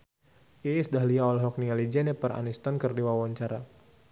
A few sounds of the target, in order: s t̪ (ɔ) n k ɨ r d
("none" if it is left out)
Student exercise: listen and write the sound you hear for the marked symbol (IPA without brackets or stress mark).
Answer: ɔ